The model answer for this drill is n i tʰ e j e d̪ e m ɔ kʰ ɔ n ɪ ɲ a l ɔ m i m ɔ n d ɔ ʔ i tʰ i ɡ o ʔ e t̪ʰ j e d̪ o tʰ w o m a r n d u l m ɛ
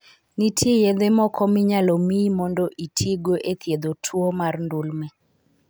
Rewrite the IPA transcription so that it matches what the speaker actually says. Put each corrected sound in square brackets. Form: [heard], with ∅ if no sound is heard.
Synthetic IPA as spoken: n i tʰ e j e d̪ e m ɔ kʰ ɔ [m] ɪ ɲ a l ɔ m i m ɔ n d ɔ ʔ i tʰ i ɡ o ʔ e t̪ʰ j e d̪ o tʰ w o m a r n d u l m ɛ